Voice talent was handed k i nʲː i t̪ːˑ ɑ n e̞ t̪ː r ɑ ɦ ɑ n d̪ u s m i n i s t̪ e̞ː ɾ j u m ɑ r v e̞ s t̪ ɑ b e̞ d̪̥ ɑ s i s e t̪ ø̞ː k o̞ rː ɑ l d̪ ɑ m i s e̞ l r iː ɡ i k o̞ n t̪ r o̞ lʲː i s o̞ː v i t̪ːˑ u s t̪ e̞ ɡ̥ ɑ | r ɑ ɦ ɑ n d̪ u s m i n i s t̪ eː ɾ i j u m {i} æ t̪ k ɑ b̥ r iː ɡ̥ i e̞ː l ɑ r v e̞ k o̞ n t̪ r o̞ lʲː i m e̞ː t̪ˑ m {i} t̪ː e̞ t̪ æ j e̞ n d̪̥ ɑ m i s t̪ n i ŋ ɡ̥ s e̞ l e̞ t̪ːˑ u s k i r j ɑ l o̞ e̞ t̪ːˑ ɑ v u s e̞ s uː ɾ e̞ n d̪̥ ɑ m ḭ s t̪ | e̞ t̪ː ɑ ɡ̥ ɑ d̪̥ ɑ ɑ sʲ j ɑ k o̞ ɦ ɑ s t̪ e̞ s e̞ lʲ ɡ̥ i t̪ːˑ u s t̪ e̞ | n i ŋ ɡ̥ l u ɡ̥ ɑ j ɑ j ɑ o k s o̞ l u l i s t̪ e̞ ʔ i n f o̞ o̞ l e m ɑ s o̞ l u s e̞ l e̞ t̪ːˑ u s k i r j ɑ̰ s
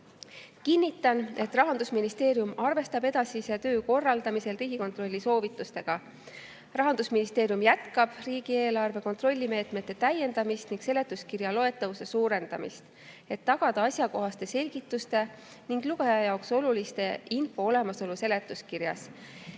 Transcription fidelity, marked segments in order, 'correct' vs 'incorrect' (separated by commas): incorrect, incorrect